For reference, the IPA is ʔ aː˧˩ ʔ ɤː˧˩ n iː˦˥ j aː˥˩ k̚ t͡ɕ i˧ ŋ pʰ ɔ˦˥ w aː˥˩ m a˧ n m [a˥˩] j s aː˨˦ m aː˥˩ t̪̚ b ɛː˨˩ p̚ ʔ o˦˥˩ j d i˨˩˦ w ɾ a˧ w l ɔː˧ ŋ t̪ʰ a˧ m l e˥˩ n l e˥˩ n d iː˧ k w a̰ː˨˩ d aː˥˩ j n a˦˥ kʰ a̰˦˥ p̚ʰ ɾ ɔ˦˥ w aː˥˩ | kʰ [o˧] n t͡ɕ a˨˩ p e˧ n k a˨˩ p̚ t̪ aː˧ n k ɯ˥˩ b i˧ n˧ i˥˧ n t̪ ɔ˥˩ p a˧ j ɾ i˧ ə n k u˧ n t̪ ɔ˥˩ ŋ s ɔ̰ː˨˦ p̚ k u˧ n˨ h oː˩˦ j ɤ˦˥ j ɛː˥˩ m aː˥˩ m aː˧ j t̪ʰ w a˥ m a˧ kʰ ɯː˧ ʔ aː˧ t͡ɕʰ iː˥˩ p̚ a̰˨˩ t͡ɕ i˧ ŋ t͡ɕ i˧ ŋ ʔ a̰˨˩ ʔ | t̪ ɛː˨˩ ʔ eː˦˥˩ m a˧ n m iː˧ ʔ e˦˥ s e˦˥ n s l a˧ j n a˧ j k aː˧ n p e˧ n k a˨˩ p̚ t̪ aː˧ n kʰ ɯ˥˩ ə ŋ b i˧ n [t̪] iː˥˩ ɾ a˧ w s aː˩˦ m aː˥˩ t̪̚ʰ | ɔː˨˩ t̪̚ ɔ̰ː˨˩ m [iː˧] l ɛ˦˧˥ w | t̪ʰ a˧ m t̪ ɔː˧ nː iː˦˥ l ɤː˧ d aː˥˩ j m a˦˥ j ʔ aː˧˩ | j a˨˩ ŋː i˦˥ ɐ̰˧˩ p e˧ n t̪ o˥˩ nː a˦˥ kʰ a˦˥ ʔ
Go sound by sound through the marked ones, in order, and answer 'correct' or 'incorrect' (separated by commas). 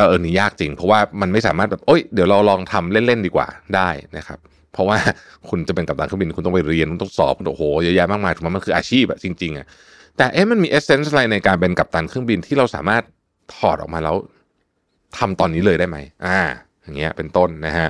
correct, incorrect, incorrect, incorrect